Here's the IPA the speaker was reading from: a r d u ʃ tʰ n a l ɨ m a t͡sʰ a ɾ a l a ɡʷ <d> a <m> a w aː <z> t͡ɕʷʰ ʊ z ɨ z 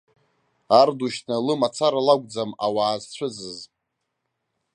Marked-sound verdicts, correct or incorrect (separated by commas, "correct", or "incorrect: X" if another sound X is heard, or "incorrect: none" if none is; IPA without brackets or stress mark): incorrect: d͡z, correct, correct